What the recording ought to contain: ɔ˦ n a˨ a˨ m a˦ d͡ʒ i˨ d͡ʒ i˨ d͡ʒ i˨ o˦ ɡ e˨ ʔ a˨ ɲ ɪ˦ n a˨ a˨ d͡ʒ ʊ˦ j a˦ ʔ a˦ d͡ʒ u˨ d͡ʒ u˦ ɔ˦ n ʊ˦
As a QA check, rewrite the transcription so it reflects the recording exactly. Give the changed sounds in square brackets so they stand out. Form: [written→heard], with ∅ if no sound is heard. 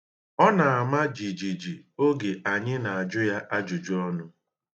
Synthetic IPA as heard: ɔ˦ n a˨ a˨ m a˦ d͡ʒ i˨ d͡ʒ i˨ d͡ʒ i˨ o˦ ɡ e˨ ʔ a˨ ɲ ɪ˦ n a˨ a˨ d͡ʒ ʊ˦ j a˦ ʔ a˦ d͡ʒ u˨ d͡ʒ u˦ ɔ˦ n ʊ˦